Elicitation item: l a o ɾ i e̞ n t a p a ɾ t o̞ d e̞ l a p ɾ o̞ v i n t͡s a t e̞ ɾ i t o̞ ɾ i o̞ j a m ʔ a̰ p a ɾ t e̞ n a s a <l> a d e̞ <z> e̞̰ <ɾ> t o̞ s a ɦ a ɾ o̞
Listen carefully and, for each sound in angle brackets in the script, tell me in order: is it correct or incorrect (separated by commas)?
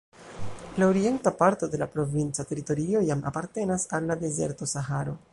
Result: incorrect, correct, correct